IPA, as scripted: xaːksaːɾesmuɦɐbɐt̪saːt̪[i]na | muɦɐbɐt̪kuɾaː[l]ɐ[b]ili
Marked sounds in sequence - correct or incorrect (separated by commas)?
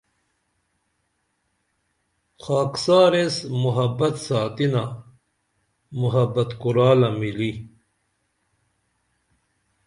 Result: correct, correct, incorrect